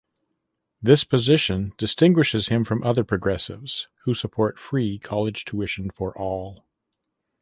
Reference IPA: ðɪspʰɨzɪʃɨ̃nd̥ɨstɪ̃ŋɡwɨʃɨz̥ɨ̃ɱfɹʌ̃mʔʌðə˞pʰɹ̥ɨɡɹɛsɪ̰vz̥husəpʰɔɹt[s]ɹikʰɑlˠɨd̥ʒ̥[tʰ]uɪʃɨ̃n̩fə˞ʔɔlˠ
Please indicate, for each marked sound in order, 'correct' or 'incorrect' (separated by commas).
incorrect, correct